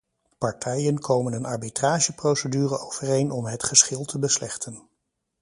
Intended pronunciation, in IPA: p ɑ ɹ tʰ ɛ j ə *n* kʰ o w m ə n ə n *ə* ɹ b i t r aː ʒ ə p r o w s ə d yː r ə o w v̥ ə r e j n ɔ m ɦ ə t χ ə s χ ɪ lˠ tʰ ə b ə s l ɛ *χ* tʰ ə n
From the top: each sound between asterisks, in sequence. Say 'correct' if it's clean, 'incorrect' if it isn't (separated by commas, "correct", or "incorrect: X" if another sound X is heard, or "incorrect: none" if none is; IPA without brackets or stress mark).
correct, incorrect: ɑ, correct